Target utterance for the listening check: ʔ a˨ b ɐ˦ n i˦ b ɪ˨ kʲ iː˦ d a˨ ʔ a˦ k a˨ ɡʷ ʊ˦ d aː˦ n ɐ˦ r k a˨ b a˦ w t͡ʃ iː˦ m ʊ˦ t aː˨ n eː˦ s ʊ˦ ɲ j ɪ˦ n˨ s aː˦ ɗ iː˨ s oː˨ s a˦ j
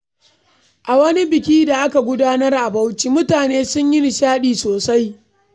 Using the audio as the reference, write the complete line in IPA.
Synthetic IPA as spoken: ʔ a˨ w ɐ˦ n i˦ b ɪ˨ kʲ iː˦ d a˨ ʔ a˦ k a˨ ɡʷ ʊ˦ d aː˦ n ɐ˦ r ʔ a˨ b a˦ w t͡ʃ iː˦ m ʊ˦ t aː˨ n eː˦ s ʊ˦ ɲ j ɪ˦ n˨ ʃ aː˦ ɗ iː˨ s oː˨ s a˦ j

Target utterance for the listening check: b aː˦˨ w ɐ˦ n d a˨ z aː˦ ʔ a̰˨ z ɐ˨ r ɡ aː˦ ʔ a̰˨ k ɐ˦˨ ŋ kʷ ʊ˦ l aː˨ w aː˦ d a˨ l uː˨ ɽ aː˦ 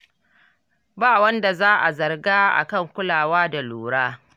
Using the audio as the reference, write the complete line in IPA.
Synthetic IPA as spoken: b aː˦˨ w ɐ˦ n d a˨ z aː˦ ʔ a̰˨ z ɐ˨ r ɡ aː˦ ʔ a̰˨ k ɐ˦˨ ŋ kʷ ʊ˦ l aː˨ w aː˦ d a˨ l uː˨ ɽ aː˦

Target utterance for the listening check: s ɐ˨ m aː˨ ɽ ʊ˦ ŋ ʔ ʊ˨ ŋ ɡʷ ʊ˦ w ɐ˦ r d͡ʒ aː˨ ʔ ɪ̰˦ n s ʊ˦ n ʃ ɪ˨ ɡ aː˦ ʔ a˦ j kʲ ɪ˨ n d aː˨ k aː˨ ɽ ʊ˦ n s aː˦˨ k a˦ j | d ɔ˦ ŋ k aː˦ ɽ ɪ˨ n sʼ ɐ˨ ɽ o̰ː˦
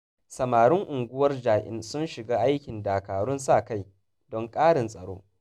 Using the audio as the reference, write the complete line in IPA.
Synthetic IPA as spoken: s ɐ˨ m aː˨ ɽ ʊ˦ ŋ ʔ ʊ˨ ŋ ɡʷ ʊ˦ w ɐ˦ r d͡ʒ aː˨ ʔ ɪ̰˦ n s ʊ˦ n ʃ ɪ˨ ɡ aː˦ ʔ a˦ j kʲ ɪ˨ n d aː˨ k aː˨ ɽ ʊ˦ n s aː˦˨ k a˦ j | d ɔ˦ ŋ kʼ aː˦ ɽ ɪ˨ n sʼ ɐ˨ ɽ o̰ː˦

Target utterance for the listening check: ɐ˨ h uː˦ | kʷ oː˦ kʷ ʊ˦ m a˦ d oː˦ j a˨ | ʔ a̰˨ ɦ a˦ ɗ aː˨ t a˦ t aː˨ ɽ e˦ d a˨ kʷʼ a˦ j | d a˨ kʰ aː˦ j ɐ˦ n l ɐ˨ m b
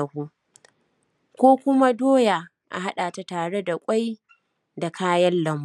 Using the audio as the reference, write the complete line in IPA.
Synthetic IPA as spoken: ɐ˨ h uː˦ | kʷ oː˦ kʷ ʊ˦ m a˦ d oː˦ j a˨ | ʔ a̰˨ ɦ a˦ ɗ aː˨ t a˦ t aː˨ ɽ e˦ d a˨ kʷʼ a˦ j | d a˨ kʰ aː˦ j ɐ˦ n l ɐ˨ m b

